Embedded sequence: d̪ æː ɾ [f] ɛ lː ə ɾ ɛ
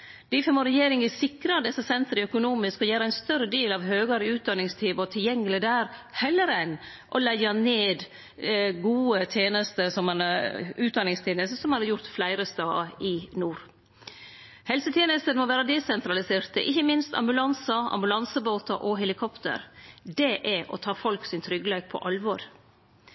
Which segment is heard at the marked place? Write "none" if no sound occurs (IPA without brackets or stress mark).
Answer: h